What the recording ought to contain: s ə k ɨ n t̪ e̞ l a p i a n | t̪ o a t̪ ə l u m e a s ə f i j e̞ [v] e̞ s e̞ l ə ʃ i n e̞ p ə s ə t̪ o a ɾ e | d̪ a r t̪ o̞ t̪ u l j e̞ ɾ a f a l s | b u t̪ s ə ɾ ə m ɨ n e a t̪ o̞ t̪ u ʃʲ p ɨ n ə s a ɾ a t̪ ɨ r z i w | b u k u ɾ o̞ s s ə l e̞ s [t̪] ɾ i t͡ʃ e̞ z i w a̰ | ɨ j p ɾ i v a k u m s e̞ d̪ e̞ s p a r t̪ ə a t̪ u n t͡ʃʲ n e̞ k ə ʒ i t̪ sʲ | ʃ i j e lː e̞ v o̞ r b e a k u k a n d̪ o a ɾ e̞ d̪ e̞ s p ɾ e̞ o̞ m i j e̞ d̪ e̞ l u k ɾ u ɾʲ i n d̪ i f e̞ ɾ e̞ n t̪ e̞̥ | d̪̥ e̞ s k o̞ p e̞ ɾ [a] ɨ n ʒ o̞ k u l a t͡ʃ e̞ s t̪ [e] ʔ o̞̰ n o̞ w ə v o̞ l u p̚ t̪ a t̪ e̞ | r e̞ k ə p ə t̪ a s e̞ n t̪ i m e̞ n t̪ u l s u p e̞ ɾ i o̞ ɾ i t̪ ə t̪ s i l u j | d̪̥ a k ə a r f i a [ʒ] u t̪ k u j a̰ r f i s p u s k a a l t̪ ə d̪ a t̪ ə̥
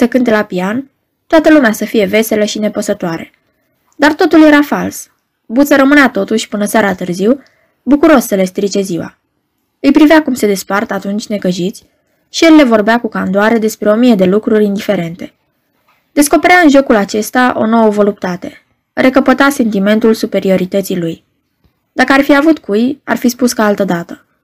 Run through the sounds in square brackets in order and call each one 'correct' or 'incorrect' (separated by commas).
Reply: correct, correct, correct, incorrect, incorrect